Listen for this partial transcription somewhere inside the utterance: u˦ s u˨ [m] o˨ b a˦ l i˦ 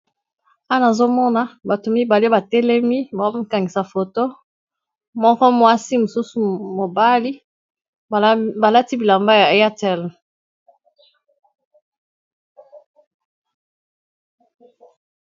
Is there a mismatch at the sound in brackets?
no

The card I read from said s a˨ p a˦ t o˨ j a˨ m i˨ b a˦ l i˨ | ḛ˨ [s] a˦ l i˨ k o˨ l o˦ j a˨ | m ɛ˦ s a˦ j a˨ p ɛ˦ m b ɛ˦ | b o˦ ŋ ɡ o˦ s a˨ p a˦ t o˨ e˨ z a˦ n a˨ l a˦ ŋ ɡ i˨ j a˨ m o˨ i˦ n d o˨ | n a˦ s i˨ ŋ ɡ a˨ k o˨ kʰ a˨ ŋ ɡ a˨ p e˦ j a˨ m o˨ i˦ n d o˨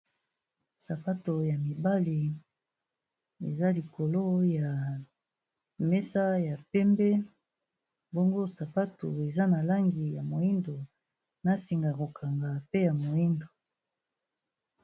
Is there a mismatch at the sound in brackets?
yes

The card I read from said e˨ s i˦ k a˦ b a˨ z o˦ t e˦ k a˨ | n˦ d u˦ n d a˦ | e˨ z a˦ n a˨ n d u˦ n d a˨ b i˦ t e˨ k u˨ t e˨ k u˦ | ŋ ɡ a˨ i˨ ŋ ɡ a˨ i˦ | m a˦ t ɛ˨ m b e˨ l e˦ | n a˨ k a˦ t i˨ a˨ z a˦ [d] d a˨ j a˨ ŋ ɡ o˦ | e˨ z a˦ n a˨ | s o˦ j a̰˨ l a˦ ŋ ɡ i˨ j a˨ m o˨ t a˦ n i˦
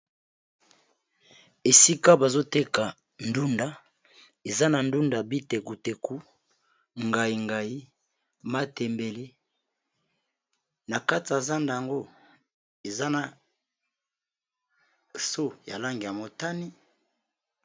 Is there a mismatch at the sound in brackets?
yes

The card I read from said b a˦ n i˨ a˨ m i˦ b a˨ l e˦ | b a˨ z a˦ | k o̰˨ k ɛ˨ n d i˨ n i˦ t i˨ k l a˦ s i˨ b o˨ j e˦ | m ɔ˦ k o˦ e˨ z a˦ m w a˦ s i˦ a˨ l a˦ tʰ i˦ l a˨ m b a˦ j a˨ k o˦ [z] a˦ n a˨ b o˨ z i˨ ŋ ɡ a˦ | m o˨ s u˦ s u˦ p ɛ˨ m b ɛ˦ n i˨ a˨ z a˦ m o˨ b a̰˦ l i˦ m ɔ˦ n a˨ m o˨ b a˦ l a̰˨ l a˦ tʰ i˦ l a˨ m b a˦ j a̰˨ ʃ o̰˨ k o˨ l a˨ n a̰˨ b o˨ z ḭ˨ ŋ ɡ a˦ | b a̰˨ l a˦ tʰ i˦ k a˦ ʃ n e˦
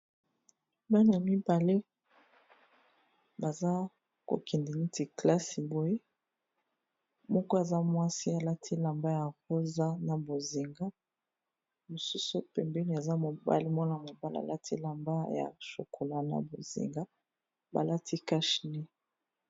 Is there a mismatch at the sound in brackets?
no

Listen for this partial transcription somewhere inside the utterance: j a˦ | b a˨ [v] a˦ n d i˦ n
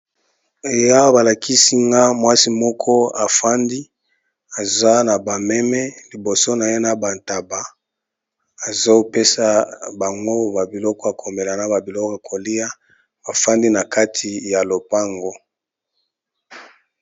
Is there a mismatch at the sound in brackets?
yes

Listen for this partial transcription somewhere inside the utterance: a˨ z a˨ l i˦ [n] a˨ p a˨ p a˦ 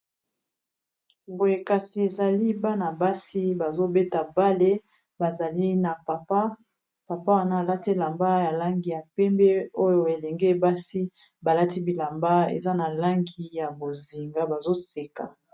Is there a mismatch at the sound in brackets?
no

